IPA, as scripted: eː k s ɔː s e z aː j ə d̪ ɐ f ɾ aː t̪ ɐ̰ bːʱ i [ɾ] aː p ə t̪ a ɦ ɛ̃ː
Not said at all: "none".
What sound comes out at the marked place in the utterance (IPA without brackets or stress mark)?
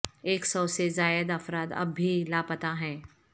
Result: l